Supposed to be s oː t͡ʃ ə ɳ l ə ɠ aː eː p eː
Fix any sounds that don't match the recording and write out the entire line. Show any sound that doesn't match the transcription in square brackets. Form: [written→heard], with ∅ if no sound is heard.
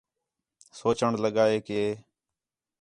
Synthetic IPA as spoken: s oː t͡ʃ ə ɳ l ə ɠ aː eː [p→k] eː